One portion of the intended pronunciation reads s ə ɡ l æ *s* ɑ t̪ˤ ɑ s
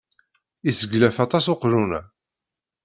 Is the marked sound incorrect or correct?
incorrect: f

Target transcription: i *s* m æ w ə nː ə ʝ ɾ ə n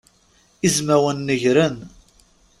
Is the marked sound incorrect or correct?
incorrect: z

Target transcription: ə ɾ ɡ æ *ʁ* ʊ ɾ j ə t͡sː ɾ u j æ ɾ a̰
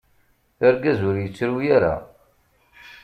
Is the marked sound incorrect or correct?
incorrect: z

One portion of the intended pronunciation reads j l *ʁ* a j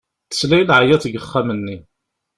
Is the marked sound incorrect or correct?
incorrect: ʕ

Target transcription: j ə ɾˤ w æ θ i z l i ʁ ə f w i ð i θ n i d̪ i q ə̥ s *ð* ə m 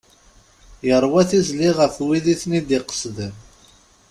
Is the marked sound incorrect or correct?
correct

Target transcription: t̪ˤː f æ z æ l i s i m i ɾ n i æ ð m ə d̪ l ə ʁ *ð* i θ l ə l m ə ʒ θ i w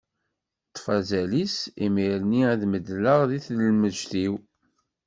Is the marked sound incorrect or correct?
correct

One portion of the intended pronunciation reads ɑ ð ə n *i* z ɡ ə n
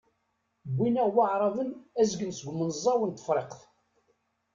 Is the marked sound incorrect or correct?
incorrect: æ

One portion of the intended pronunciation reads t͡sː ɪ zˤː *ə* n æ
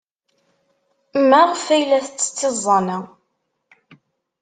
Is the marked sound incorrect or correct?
incorrect: ɑ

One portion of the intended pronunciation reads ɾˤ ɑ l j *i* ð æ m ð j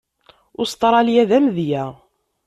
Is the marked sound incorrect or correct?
incorrect: æ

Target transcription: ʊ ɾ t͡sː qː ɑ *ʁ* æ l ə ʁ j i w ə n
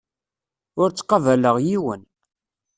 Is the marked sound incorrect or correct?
incorrect: v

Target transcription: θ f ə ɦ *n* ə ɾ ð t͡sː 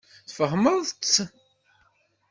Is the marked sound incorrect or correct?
incorrect: m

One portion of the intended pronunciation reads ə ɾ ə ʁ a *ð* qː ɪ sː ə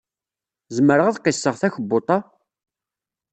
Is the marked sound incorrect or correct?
correct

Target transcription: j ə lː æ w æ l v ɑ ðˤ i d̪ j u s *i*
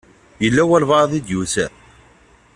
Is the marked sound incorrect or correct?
incorrect: æ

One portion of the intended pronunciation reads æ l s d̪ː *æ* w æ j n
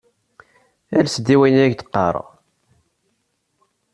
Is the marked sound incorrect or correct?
incorrect: i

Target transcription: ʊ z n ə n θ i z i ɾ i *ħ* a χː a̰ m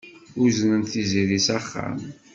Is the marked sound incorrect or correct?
incorrect: s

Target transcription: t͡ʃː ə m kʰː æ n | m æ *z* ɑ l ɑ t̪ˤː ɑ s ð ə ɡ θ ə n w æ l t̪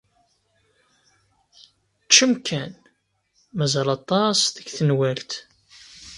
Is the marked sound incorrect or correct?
correct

